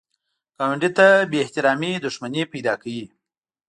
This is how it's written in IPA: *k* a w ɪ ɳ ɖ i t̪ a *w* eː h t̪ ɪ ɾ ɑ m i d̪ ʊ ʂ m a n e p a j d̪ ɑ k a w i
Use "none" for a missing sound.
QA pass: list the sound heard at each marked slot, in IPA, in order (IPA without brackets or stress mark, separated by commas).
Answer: k, b